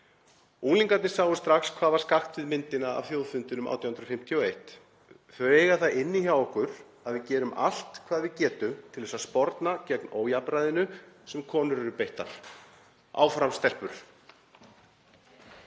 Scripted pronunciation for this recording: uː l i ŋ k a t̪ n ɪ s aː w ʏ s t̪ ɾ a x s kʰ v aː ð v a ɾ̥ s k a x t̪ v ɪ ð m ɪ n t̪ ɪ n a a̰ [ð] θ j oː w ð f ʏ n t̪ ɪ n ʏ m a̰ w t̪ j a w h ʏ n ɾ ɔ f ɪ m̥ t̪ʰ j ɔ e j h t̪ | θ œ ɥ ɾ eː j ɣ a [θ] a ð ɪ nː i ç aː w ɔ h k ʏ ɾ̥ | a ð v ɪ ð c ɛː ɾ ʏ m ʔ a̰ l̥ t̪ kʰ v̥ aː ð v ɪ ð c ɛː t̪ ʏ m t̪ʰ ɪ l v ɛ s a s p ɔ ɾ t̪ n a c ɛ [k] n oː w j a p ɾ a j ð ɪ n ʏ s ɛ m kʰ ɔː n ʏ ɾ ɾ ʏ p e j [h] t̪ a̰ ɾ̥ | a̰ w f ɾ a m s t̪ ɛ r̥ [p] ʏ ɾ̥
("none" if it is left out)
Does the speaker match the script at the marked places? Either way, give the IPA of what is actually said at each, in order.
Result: v, θ, k, h, p

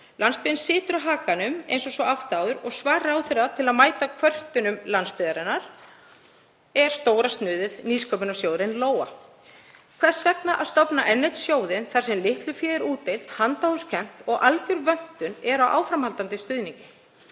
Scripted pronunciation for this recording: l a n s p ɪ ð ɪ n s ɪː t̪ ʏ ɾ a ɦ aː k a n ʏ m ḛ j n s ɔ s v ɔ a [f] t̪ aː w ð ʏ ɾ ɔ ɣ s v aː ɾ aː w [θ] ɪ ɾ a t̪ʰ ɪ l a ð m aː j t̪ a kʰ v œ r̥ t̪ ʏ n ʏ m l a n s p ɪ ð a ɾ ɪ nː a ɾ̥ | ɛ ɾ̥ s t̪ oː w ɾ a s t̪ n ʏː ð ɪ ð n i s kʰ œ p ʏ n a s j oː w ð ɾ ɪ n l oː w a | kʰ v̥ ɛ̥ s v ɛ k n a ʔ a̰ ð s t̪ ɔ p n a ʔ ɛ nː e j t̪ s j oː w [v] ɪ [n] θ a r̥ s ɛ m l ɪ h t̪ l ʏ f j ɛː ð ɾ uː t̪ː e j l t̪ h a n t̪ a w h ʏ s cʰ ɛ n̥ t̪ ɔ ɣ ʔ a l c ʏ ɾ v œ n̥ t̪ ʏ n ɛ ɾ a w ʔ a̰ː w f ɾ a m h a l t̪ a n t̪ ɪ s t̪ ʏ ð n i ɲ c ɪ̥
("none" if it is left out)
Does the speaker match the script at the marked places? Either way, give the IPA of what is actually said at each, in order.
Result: f, θ, ð, n

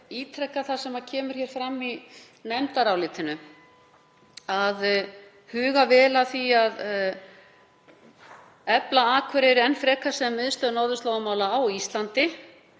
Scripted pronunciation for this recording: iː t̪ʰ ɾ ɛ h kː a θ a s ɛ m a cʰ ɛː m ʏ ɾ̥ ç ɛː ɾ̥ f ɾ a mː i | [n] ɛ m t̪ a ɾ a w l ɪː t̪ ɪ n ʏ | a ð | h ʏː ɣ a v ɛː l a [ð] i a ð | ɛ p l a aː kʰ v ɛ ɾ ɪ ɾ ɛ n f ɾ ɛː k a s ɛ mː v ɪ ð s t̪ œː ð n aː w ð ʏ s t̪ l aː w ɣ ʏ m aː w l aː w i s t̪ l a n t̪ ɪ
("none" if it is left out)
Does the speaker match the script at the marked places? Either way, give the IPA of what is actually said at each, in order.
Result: n, θ

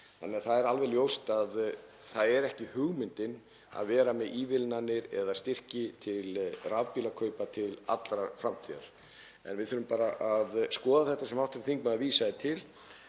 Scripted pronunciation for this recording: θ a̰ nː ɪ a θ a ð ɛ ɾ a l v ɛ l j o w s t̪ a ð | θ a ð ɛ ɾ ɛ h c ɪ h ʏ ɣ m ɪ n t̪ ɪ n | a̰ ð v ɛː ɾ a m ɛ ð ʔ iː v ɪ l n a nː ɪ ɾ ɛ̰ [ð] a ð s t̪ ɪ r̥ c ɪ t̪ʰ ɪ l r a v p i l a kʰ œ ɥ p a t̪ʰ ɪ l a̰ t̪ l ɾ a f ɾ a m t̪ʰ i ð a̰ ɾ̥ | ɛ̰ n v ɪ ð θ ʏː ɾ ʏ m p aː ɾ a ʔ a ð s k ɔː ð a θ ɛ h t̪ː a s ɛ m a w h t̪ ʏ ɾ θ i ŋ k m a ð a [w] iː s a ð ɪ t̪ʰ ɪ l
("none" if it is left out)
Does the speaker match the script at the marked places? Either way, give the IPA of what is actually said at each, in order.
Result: ð, v

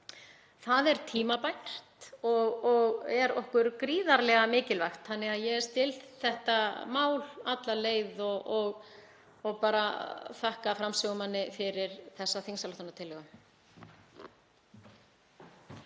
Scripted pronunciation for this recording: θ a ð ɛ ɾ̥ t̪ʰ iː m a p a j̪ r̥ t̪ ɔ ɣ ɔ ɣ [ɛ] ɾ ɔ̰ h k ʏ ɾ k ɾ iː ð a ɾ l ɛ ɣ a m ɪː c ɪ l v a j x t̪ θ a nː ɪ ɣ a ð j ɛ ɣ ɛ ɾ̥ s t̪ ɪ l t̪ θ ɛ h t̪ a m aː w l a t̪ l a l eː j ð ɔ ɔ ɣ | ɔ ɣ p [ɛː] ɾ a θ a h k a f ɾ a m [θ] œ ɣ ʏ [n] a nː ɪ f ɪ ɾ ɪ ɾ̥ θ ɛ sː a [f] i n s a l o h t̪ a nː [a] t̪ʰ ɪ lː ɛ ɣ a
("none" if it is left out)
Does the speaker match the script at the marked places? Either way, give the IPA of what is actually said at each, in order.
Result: ɛ, aː, s, m, θ, a

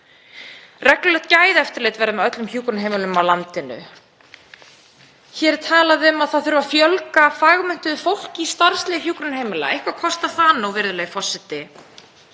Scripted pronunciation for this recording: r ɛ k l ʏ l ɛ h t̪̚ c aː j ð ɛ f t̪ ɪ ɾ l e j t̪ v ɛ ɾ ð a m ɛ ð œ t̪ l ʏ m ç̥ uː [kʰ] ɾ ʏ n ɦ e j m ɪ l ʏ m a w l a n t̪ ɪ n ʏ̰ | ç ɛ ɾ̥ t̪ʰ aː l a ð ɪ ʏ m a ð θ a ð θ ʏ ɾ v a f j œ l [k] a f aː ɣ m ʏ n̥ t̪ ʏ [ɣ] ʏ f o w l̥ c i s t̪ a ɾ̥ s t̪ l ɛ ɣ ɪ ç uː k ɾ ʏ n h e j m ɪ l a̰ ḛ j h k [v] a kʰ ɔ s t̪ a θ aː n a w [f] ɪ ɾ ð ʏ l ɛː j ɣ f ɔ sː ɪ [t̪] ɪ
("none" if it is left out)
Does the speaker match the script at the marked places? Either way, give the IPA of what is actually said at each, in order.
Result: k, k, ð, v, v, t̪

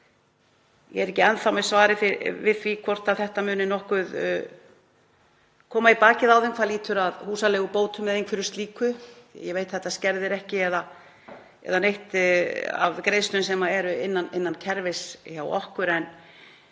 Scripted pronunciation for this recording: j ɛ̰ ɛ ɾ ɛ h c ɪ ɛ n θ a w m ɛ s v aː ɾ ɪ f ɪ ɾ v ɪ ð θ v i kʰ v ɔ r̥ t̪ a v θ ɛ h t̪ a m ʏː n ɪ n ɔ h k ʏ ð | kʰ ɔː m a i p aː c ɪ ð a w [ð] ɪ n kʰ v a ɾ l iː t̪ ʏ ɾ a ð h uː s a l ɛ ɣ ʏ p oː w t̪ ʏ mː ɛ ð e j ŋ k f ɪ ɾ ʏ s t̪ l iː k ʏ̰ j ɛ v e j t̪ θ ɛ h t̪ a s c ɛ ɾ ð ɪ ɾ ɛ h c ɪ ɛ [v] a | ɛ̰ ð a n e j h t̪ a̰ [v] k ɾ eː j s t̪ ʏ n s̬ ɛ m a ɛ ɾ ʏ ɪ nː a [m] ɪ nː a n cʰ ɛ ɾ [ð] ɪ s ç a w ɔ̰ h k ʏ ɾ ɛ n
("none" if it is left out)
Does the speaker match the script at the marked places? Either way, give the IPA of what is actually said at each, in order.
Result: ð, ð, v, n, v

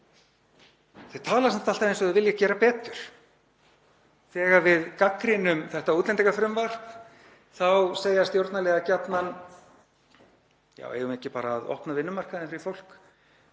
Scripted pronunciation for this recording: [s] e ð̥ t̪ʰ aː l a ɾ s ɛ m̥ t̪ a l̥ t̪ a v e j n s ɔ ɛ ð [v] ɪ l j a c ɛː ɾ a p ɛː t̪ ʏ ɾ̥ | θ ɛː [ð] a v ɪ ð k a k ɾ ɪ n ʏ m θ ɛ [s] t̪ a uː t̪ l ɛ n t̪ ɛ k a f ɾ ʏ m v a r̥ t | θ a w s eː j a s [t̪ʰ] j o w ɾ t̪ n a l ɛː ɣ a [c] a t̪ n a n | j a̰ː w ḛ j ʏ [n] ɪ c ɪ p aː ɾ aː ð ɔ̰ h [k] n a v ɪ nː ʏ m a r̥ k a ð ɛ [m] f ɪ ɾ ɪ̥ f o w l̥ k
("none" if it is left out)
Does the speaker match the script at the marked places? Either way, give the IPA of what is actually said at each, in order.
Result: θ, v, ɣ, h, t̪, c, m, p, n

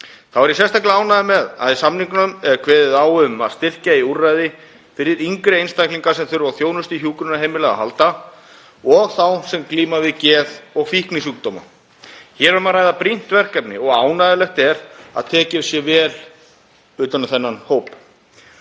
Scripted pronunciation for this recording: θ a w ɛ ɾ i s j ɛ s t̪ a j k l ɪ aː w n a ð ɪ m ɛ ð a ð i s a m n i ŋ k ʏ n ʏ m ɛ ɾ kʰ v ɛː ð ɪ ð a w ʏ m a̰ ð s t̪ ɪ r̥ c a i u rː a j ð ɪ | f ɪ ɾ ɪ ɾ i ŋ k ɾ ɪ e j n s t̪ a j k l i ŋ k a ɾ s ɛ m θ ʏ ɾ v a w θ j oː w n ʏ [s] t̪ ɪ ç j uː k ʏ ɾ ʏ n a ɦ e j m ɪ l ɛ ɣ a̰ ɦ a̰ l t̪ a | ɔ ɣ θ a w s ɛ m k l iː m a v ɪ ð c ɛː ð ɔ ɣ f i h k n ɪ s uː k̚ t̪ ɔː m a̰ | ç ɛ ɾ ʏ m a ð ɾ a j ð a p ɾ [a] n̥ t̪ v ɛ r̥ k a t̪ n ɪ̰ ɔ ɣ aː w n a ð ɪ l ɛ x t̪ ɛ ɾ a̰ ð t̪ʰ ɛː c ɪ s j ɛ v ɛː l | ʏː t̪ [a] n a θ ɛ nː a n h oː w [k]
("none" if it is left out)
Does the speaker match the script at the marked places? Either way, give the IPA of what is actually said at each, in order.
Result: s, i, a, p

